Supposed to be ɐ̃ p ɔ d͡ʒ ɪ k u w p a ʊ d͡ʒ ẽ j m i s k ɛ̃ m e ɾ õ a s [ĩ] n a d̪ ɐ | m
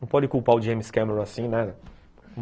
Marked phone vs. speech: correct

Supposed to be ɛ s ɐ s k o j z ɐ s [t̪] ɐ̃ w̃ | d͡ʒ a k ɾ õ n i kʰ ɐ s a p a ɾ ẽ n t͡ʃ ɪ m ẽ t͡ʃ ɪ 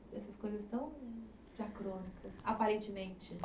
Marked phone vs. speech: correct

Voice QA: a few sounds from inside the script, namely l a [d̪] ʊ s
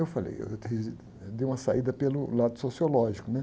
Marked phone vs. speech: correct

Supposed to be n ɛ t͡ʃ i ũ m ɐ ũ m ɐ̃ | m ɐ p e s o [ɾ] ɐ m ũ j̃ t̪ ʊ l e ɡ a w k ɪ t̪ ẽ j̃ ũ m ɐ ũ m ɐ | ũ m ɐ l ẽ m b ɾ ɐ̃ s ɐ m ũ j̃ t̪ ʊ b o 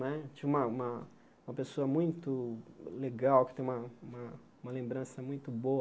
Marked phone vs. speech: incorrect: none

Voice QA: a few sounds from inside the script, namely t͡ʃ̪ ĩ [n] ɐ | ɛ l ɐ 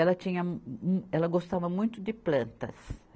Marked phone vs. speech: incorrect: ɲ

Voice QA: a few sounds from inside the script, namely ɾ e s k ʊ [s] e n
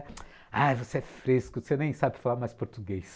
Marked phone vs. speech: correct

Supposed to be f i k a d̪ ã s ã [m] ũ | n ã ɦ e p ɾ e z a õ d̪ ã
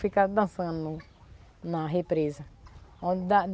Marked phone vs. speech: incorrect: n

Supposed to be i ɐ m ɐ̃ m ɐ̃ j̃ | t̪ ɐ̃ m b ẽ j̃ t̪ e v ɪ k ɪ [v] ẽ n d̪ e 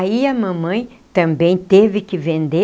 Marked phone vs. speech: correct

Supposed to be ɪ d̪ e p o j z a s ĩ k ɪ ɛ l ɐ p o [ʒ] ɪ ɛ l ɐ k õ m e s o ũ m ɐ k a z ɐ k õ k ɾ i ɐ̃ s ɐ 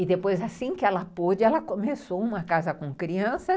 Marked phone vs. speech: incorrect: d͡ʒ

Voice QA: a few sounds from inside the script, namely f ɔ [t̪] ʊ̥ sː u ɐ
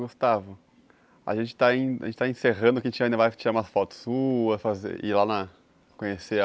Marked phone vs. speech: correct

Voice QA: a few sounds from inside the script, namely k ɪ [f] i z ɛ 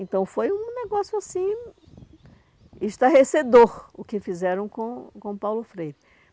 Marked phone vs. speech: correct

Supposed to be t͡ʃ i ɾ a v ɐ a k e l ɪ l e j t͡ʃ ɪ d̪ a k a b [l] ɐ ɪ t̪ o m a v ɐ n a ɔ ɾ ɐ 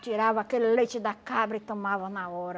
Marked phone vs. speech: incorrect: ɾ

